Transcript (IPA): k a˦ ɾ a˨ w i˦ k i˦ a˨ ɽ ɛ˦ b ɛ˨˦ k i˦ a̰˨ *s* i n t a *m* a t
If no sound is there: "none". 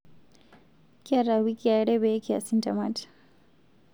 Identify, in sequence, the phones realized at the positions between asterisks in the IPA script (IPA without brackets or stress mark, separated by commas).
s, m